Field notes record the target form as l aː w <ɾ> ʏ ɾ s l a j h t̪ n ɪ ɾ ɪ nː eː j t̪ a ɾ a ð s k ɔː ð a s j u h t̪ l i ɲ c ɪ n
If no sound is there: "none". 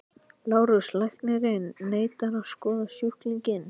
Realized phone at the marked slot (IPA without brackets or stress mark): ɾ